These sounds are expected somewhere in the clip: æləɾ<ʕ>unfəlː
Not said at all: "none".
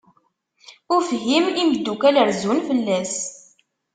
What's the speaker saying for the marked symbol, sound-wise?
z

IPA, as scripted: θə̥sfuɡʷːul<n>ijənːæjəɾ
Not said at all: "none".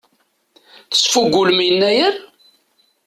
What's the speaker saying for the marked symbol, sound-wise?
m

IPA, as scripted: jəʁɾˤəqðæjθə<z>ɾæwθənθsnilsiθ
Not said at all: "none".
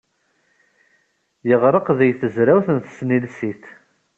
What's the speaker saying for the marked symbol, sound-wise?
z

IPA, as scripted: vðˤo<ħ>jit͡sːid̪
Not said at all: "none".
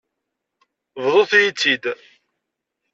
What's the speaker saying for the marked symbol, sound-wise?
θ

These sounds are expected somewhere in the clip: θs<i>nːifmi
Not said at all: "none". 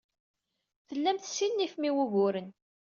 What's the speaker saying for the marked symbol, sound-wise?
i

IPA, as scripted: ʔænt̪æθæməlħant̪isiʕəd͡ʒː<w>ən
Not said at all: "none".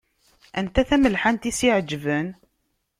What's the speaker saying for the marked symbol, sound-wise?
v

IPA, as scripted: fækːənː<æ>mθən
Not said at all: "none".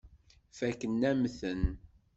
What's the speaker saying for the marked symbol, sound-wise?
æ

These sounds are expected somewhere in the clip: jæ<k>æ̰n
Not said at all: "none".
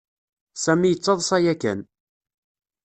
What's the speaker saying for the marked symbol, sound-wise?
k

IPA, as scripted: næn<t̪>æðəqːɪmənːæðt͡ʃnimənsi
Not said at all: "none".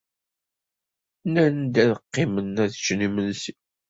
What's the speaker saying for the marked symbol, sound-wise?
d̪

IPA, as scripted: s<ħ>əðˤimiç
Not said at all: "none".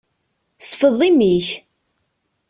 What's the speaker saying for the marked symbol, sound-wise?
f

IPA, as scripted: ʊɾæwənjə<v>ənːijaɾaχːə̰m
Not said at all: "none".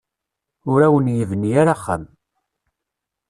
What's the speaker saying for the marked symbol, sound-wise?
v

